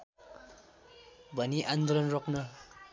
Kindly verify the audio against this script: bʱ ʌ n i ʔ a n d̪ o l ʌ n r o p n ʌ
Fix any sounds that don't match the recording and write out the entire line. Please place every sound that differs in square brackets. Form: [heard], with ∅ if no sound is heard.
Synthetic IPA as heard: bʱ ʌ n i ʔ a n d̪ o l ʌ n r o [k] n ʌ